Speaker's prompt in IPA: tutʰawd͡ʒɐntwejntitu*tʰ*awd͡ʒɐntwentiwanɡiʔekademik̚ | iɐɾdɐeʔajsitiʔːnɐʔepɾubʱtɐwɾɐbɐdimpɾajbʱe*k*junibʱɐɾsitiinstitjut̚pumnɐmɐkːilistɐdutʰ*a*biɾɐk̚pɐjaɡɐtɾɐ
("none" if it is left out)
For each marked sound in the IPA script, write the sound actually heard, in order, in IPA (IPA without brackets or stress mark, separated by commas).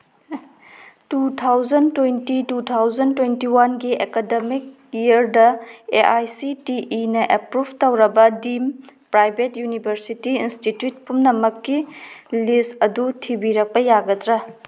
tʰ, t, i